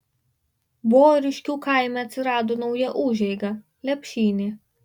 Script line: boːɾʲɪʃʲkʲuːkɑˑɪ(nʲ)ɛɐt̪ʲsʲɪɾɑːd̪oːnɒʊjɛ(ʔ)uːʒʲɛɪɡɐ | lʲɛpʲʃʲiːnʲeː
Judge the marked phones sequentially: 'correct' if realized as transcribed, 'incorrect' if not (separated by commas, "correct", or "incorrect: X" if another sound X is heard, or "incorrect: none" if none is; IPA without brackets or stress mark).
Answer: incorrect: mʲ, correct